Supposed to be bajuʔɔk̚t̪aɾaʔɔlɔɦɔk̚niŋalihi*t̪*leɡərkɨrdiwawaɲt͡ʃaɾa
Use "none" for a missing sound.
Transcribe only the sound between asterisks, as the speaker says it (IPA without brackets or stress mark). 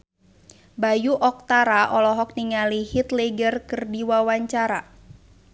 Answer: t̪